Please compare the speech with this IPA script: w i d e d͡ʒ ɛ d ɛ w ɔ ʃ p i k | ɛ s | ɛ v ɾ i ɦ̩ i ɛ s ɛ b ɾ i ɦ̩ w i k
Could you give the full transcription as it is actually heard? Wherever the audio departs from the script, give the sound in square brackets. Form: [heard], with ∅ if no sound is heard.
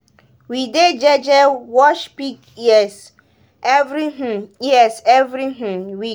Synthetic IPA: w i d e d͡ʒ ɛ [d͡ʒ] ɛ w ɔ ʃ p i k | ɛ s | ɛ v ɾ i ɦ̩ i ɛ s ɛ [v] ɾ i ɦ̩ w i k